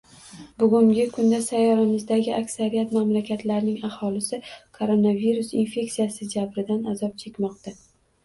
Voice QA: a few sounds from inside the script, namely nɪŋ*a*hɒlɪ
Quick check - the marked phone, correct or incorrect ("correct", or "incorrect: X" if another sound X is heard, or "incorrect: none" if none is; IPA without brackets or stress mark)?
correct